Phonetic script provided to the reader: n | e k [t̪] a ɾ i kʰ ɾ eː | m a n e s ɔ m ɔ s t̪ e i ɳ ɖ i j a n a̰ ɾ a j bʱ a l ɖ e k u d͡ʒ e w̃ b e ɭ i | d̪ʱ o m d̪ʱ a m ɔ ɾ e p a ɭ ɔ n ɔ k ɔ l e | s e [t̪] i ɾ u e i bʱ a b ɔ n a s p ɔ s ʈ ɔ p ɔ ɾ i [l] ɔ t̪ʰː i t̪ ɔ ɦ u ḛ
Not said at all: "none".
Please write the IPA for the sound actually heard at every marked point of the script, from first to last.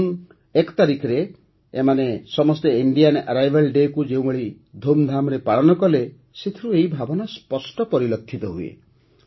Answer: t̪, t̪ʰ, l

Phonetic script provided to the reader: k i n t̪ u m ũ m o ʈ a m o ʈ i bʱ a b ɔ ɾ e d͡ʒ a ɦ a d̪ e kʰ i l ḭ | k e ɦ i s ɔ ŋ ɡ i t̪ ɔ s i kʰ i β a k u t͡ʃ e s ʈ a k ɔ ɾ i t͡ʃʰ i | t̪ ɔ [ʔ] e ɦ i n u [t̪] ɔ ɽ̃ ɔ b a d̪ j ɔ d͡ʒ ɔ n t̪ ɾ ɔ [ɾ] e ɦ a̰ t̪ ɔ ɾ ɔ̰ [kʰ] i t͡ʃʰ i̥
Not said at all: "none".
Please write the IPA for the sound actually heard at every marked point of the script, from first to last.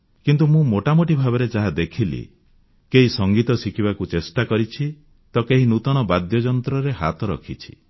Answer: k, t̪, ɾ, kʰ

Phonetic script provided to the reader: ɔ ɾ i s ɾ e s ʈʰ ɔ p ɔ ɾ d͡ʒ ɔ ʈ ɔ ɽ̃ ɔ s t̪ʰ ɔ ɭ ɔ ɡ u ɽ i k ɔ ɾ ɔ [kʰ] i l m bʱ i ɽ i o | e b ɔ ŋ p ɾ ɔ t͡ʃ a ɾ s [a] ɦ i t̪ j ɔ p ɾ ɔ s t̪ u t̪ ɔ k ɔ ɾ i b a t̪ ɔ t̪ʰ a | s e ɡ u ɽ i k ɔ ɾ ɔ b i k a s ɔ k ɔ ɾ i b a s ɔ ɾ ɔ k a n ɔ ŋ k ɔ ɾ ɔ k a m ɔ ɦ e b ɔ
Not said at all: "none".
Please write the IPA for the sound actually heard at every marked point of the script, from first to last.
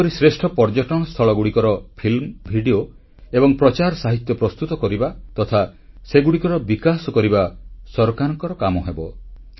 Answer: pʰ, a

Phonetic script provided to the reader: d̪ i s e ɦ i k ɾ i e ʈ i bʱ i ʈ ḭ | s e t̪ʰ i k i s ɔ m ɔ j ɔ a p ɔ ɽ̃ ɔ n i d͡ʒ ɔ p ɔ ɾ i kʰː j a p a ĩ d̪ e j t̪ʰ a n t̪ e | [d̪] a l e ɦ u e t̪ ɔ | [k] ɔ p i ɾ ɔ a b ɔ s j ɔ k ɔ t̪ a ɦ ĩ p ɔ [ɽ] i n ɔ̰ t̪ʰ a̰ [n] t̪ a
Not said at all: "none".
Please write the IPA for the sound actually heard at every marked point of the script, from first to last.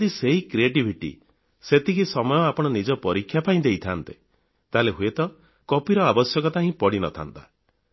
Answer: t̪, k, ɽ, n

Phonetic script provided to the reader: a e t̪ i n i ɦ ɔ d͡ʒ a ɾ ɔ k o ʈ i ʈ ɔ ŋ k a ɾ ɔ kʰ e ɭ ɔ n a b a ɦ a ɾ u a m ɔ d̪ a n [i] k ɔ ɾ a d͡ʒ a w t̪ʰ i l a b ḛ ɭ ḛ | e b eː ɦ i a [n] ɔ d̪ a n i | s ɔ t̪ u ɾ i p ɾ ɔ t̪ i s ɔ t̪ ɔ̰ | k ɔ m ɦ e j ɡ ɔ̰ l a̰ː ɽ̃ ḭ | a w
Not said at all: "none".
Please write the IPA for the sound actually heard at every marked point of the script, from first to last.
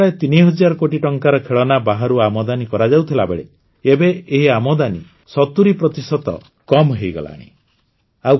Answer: i, m

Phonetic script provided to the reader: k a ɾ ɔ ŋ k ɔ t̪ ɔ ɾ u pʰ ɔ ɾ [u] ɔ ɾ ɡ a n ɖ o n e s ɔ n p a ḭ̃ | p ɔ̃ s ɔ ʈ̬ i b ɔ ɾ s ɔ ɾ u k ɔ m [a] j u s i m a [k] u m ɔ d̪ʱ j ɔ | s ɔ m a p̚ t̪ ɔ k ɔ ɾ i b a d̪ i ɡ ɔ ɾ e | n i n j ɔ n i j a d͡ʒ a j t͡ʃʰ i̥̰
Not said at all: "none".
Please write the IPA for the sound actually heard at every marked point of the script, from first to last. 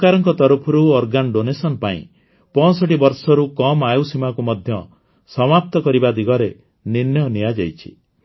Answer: u, a, k

